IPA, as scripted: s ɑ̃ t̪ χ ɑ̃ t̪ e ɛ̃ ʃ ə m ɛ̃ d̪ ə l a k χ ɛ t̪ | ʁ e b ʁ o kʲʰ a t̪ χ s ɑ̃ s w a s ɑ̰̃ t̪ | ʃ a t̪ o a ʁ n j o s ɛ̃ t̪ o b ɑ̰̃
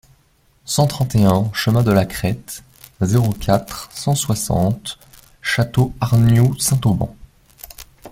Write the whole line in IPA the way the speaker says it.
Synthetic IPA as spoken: s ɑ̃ t̪ χ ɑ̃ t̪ e ɛ̃ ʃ ə m ɛ̃ d̪ ə l a k χ ɛ t̪ | z e ʁ o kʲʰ a t̪ χ s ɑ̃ s w a s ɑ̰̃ t̪ | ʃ a t̪ o a ʁ n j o s ɛ̃ t̪ o b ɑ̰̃

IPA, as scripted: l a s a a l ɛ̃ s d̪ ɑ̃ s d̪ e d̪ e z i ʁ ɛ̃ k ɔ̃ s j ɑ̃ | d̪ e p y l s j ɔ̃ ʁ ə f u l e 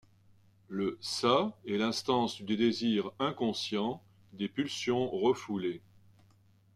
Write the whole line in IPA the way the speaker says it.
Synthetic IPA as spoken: l ə s a ɛ l ɛ̃ s t̪ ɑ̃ s d̪ e d̪ e z i ʁ ɛ̃ k ɔ̃ s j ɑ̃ | d̪ e p y l s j ɔ̃ ʁ ə f u l e

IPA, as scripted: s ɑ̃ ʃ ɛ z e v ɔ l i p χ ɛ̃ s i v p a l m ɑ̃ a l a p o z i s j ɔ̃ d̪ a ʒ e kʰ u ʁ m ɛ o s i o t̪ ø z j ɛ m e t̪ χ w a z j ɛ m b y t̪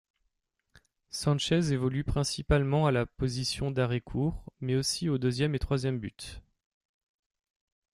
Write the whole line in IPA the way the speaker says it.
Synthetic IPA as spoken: s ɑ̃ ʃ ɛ z e v ɔ l y p χ ɛ̃ s i p a l m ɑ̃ a l a p o z i s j ɔ̃ d̪ a ʁ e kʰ u ʁ m ɛ o s i o d̪ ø z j ɛ m e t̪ χ w a z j ɛ m b y t̪

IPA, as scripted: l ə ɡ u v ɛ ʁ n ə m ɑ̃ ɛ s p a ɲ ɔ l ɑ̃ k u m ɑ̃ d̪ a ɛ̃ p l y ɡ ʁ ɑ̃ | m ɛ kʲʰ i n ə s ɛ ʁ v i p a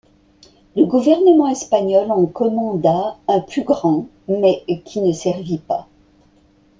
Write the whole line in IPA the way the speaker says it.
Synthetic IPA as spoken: l ə ɡ u v ɛ ʁ n ə m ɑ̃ ɛ s p a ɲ ɔ l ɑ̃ k ɔ m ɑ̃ d̪ a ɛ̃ p l y ɡ ʁ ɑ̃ | m ɛ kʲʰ i n ə s ɛ ʁ v i p a

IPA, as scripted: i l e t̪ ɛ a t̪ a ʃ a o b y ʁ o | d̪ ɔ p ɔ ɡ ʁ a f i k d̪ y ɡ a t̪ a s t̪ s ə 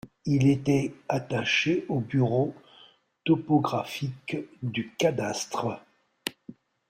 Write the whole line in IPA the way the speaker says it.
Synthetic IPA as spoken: i l e t̪ ɛ a t̪ a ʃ e o b y ʁ o | t̪ ɔ p ɔ ɡ ʁ a f i k d̪ y k a d̪ a s t̪ χ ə

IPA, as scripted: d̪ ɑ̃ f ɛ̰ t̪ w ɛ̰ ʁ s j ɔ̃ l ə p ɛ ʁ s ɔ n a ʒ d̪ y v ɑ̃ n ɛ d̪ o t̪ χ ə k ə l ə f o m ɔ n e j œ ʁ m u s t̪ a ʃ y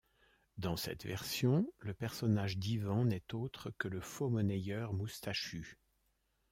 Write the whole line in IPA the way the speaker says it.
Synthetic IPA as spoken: d̪ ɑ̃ s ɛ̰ t̪ v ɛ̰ ʁ s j ɔ̃ l ə p ɛ ʁ s ɔ n a ʒ d̪ i v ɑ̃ n ɛ t̪ o t̪ χ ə k ə l ə f o m ɔ n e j œ ʁ m u s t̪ a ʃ y

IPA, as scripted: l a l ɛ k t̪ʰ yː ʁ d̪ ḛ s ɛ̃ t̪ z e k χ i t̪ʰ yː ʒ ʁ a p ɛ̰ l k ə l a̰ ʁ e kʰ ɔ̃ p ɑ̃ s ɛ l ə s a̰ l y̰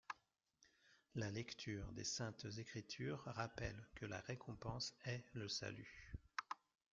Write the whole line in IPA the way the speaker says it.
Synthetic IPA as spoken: l a l ɛ k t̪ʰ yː ʁ d̪ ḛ s ɛ̃ t̪ z e k χ i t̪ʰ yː ʁ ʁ a p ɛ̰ l k ə l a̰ ʁ e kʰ ɔ̃ p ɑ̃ s ɛ l ə s a̰ l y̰

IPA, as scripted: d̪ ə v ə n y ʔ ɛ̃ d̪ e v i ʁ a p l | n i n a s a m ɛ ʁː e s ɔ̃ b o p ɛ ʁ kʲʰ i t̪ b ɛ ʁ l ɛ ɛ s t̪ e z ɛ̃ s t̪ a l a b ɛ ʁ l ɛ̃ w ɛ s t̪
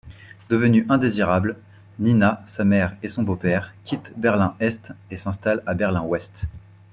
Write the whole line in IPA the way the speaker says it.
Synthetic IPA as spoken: d̪ ə v ə n y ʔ ɛ̃ d̪ e z i ʁ a b l | n i n a s a m ɛ ʁ e s ɔ̃ b o p ɛ ʁ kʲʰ i t̪ b ɛ ʁ l ɛ̃ ɛ s t̪ e s ɛ̃ s t̪ a l a b ɛ ʁ l ɛ̃ w ɛ s t̪

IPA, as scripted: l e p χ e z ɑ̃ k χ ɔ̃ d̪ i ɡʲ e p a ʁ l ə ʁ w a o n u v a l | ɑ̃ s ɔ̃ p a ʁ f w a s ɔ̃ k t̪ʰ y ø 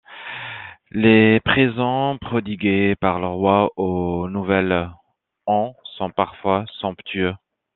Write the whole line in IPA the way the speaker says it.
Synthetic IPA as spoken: l e p χ e z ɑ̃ p χ ɔ d̪ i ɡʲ e p a ʁ l ə ʁ w a o n u v ɛ l | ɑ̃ s ɔ̃ p a ʁ f w a s ɔ̃ p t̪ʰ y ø

